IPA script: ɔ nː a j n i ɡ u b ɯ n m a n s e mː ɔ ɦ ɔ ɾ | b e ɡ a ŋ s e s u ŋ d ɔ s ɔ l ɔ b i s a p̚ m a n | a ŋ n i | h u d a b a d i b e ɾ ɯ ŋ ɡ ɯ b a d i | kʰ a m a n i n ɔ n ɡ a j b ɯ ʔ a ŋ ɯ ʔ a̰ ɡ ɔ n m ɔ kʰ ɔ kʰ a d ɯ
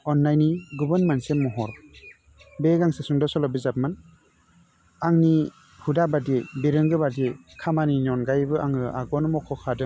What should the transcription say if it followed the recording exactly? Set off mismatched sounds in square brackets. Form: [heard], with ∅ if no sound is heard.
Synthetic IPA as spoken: ɔ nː a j n i ɡ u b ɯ n m a n s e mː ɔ ɦ ɔ ɾ | b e ɡ a ŋ s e s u ŋ d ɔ s ɔ l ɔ b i [z] a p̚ m a n | a ŋ n i | h u d a b a d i b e ɾ ɯ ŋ ɡ ɯ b a d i | kʰ a m a n i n ɔ n ɡ a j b ɯ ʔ a ŋ ɯ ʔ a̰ ɡ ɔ n m ɔ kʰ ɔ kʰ a d ɯ

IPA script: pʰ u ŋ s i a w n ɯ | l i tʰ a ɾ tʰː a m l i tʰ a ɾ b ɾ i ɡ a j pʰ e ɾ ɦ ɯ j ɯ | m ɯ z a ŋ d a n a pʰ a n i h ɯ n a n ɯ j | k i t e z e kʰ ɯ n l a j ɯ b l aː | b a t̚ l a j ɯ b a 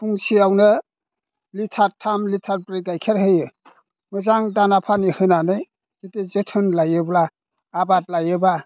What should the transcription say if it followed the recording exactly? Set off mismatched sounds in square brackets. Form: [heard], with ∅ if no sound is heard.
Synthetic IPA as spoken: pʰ u ŋ s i a w n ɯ | l i tʰ a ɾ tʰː a m l i tʰ a ɾ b ɾ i ɡ a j [kʰ] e ɾ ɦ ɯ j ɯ | m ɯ z a ŋ d a n a pʰ a n i h ɯ n a n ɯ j | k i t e z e [tʰ] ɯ n l a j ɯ b l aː | b a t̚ l a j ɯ b a

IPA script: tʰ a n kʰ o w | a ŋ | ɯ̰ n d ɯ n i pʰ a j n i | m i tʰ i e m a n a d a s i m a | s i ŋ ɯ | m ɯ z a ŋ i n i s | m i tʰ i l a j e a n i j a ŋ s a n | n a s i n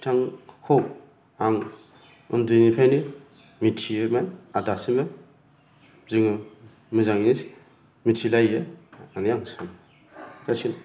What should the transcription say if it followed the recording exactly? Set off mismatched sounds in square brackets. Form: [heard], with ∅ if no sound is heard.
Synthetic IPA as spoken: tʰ a [ŋ] kʰ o w | a ŋ | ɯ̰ n d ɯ n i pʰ a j n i | m i tʰ i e m a n a d a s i m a | [z] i ŋ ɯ | m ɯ z a ŋ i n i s | m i tʰ i l a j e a n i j a ŋ s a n | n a s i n

